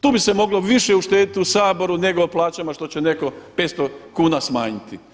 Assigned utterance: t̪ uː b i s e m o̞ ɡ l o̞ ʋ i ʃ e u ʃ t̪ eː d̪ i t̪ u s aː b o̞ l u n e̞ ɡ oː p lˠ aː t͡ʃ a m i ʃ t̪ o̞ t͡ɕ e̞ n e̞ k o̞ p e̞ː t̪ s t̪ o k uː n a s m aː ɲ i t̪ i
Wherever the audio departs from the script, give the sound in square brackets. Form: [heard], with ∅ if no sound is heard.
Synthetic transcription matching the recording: t̪ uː b i s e m o̞ ɡ l o̞ ʋ i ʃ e u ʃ t̪ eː d̪ i t̪ u s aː b o̞ [ɾ] u n e̞ ɡ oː p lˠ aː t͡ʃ a m [a] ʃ t̪ o̞ t͡ɕ e̞ n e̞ k o̞ p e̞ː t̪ s t̪ o k uː n a s m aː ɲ i t̪ i